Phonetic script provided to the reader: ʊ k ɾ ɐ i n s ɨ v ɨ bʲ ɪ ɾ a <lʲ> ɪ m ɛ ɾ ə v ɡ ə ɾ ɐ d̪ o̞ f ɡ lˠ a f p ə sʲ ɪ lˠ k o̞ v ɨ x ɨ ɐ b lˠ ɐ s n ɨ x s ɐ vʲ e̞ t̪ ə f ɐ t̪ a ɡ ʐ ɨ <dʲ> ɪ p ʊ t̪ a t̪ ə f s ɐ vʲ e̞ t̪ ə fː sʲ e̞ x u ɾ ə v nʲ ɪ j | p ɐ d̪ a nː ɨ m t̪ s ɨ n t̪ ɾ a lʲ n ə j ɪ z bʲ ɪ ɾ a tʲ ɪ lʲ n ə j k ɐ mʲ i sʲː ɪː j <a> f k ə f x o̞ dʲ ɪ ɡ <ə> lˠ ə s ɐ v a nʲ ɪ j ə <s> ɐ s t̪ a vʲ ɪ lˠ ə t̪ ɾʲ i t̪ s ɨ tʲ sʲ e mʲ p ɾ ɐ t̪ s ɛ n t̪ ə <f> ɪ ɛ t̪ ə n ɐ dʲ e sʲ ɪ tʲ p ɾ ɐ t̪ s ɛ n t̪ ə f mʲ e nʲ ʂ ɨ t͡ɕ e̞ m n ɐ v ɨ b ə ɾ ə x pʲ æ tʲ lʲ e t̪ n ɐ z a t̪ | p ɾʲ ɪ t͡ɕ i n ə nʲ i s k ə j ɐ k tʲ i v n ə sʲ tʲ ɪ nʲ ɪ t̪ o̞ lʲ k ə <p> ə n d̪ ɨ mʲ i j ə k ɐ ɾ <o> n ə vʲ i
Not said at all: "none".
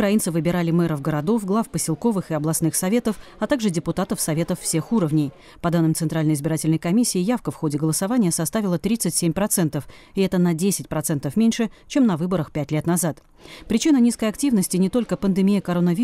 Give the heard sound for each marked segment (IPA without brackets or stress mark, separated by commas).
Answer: lʲ, dʲ, a, ə, s, f, p, o